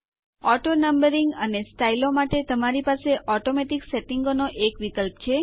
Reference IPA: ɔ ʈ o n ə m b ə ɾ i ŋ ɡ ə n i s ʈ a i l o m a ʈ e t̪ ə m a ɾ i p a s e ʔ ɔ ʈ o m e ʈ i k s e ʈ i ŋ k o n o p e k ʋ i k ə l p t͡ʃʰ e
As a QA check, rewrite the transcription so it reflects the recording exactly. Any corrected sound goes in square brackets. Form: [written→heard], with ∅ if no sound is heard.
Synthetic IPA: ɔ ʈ o n ə m b ə ɾ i ŋ ɡ ə n [i→e] s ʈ a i l o m a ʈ e t̪ ə m a ɾ i p a s e ʔ ɔ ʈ o m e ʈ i k s e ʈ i ŋ [k→ɡ] o n o [p→ʔ] e k ʋ i k ə l p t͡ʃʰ e